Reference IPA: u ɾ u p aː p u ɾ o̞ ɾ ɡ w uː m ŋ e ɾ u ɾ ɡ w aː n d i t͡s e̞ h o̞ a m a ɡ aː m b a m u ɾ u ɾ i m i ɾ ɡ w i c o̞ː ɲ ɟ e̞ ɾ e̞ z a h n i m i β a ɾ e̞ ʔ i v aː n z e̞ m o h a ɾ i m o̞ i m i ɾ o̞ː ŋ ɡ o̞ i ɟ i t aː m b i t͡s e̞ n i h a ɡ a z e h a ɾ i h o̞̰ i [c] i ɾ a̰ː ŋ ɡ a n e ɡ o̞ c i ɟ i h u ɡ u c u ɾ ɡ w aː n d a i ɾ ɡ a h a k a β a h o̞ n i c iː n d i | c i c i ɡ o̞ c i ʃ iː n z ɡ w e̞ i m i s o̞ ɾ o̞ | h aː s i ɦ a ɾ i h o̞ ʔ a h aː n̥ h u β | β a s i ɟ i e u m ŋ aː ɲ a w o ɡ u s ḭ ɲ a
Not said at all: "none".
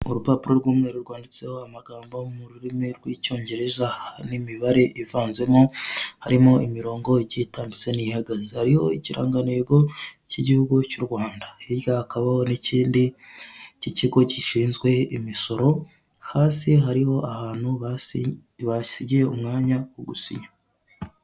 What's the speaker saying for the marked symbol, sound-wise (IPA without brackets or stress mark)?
c